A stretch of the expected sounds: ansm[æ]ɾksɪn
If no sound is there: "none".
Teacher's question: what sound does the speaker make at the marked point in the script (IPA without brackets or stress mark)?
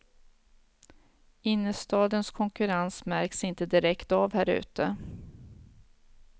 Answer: æ